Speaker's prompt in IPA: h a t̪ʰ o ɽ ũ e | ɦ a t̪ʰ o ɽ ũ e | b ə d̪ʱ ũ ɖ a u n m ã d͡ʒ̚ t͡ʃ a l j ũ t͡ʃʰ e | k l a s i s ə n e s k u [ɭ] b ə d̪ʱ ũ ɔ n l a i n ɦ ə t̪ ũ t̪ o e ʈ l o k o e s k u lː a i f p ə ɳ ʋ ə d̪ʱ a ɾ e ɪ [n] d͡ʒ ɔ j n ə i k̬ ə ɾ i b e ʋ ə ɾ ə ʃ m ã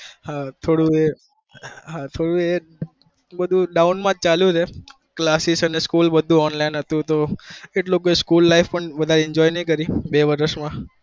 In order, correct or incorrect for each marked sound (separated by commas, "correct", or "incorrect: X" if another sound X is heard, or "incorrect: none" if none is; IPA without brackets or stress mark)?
incorrect: l, incorrect: ɲ